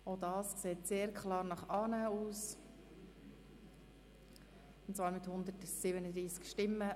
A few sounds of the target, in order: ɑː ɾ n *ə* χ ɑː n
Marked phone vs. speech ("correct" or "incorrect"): incorrect